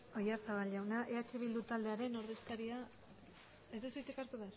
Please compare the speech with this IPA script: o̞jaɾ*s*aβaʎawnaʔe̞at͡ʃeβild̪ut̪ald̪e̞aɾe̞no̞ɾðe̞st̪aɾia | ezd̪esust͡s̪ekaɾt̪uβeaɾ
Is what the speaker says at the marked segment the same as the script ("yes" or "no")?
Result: yes